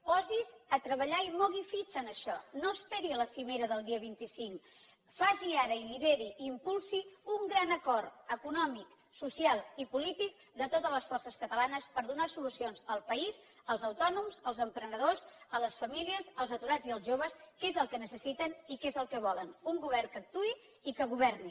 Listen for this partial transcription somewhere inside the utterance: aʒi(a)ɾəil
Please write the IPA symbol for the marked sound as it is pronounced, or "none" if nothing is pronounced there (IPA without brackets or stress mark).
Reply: a